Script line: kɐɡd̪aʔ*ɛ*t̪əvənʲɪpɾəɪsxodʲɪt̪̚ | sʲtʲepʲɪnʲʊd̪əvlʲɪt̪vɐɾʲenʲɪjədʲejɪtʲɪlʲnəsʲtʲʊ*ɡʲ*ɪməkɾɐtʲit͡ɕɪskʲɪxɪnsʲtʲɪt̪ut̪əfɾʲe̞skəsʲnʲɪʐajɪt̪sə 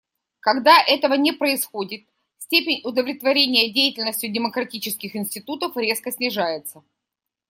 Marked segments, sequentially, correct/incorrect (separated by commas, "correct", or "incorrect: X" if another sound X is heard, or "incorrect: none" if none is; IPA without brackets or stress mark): correct, incorrect: dʲ